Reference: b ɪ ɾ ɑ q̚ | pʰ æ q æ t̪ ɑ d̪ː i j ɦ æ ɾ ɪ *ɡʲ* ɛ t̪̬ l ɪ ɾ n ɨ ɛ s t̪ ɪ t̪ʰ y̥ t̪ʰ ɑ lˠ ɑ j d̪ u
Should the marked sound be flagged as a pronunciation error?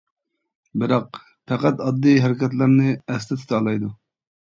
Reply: yes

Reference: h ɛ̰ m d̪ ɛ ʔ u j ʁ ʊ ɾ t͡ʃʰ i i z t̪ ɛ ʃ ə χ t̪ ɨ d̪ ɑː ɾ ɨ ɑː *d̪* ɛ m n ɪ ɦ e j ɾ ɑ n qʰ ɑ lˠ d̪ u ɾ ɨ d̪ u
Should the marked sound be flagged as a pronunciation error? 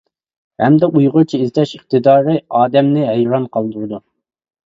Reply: no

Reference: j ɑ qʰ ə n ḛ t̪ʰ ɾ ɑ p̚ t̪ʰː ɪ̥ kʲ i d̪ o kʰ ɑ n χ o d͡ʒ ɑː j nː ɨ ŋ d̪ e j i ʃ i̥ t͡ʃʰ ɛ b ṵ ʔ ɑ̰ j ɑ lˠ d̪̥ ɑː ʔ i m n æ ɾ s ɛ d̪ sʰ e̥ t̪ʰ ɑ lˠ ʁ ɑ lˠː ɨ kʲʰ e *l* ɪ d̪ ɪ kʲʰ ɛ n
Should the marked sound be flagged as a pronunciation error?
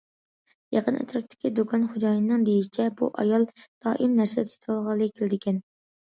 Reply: no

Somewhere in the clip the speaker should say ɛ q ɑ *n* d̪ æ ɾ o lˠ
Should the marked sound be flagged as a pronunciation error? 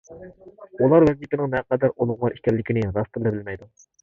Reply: yes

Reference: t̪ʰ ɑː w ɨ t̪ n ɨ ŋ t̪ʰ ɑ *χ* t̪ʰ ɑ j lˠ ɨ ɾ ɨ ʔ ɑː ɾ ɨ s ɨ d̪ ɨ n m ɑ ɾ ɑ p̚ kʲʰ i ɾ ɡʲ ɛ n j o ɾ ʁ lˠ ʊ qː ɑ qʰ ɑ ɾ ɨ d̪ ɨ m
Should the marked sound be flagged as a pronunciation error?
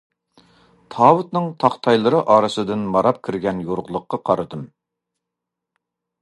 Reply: no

